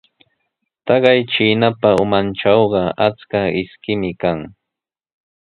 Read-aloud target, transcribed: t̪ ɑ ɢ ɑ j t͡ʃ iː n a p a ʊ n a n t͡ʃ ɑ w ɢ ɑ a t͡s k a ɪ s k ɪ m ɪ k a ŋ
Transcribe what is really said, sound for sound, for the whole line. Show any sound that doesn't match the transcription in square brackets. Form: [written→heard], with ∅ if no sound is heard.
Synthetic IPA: t̪ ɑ ɢ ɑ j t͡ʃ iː n a p a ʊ [n→m] a n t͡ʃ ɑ w ɢ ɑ a t͡s k a ɪ s k ɪ m ɪ k a ŋ